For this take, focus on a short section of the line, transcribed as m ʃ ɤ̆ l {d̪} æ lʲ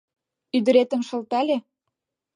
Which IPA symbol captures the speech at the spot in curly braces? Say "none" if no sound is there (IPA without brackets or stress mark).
t̪